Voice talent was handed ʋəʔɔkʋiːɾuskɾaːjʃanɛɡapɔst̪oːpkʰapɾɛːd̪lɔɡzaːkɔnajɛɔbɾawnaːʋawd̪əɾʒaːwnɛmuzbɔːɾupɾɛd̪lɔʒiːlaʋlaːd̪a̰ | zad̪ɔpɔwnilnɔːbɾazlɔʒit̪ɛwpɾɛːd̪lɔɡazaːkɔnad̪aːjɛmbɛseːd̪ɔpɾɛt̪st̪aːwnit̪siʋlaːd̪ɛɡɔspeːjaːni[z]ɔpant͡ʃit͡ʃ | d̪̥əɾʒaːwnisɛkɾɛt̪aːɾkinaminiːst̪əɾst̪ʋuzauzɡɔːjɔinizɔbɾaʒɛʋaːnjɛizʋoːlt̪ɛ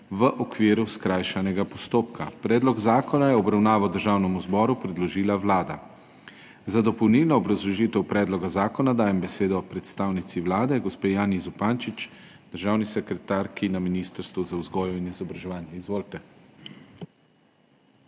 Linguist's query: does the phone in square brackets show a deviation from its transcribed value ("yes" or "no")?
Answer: no